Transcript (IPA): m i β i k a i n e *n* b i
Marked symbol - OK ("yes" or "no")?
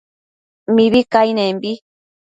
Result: no